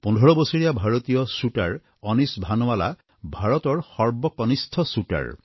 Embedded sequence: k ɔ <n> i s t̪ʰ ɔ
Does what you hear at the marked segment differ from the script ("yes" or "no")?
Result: no